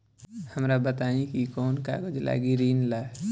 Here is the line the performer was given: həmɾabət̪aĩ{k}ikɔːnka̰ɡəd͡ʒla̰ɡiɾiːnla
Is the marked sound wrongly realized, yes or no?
no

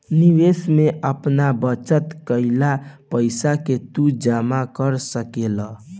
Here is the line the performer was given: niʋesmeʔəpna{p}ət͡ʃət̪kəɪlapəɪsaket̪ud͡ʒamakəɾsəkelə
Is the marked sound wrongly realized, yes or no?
yes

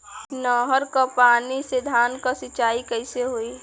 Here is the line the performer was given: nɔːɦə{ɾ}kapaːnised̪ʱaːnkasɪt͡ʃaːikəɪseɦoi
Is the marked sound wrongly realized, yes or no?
no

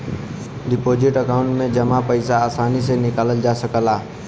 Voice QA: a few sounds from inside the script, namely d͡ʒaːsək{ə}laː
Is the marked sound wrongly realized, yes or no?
no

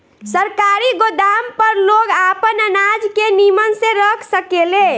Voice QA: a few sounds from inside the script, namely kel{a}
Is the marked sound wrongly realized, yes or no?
yes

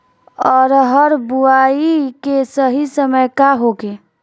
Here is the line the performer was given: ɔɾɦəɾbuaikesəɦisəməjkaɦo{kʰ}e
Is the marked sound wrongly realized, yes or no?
yes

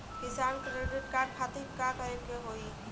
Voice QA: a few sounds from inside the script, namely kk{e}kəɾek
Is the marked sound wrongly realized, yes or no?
yes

